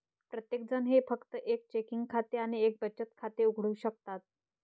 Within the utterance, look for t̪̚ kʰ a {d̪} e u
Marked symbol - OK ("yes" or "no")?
no